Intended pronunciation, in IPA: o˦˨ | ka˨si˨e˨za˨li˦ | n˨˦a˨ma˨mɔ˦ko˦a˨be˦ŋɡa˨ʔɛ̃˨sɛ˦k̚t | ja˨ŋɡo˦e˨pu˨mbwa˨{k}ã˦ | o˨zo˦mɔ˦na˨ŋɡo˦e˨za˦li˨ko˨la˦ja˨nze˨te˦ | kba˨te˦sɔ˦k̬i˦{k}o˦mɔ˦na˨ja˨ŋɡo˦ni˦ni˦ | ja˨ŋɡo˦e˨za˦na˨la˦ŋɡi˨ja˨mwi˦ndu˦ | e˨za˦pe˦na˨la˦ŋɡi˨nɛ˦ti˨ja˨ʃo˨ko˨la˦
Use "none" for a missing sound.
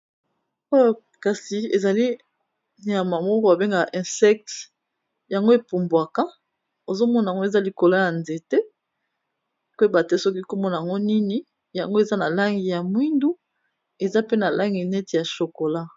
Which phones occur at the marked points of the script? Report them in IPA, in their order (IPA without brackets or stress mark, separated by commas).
k, k